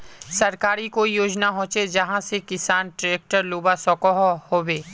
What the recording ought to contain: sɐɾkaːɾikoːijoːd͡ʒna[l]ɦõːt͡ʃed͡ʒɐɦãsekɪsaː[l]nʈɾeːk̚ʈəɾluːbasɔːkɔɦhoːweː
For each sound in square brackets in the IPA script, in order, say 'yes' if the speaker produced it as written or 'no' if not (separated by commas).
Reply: no, no